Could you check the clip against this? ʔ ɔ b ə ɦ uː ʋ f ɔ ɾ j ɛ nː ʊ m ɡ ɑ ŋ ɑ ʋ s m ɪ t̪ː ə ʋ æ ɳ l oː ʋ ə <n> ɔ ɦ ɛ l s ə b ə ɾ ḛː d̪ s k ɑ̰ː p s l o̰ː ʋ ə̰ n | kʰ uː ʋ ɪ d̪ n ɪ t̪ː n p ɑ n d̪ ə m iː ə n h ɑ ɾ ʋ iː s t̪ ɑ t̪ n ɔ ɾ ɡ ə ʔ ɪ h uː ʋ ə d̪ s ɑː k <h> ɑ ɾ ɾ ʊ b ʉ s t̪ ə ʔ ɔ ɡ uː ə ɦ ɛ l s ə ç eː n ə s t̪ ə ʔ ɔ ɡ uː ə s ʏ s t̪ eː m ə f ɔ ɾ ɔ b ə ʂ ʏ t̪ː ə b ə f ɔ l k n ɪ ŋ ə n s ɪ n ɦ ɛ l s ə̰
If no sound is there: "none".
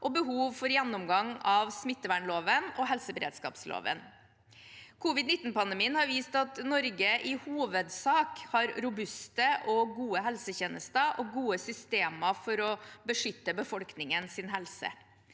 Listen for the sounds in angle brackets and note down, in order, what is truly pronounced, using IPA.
n, h

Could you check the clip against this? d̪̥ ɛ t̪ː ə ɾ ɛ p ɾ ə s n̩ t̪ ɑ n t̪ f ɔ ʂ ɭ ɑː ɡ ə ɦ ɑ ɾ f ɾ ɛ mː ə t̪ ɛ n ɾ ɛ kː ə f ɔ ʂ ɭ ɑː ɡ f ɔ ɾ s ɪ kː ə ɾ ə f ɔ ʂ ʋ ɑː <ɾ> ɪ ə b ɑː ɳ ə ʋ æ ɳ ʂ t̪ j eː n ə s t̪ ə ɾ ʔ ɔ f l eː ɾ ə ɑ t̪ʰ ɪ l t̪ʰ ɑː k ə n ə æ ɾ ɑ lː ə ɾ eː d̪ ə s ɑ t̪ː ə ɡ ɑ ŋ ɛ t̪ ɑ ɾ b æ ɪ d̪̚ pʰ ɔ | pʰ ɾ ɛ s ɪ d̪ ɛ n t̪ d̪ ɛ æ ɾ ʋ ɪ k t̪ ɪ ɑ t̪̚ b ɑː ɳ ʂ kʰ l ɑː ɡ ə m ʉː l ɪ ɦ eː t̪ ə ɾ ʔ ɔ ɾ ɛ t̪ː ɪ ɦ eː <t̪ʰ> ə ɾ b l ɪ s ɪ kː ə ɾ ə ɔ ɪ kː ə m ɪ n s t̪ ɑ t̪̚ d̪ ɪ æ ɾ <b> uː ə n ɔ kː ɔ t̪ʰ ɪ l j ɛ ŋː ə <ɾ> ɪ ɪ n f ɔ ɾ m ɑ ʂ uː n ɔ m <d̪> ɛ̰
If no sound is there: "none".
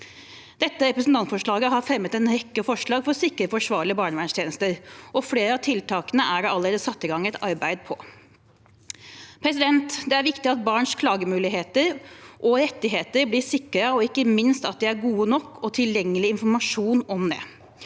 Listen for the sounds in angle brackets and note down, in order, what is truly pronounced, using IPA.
ɭ, t̪, ɡ, l, d̪

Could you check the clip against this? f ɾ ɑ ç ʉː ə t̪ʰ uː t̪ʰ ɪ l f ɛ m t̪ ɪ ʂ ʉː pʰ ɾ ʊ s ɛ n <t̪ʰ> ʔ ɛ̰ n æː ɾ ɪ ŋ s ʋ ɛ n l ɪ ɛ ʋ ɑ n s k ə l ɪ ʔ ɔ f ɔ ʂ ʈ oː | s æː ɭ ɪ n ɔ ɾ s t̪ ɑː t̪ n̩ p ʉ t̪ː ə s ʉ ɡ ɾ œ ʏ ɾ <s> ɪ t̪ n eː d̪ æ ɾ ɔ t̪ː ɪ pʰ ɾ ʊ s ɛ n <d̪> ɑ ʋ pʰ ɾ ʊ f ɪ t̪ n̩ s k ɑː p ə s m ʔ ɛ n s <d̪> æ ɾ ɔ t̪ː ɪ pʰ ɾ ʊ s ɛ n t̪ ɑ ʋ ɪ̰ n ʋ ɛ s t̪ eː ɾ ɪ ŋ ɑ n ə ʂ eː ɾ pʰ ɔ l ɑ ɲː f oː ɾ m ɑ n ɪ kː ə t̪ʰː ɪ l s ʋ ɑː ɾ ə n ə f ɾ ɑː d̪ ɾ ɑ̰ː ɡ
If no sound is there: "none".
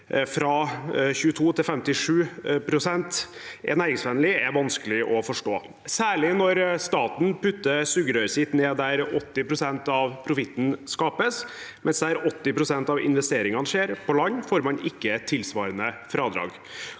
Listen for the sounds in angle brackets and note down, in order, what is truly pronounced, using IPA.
t̪, s, t̪, d̪

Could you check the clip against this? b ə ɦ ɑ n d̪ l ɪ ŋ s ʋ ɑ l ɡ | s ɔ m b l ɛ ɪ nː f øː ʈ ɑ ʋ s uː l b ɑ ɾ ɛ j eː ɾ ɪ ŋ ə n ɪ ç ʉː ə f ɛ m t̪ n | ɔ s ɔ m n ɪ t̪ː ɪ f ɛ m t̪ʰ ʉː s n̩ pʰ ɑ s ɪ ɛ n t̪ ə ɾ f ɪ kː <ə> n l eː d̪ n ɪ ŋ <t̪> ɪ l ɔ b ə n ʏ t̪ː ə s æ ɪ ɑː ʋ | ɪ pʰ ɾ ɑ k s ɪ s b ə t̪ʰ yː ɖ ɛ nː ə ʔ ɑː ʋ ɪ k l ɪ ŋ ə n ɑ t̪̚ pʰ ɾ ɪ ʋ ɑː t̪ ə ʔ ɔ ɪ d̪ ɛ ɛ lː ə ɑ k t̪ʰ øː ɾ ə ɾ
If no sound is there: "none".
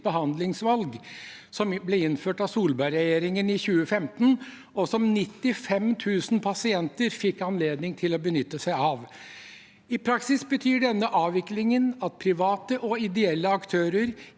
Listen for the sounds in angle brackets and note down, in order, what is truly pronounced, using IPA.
ɑ, t̪ʰ

